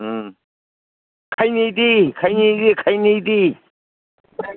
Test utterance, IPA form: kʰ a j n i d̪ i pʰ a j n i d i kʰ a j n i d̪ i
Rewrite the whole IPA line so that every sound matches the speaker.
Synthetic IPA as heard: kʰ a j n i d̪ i kʰ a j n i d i kʰ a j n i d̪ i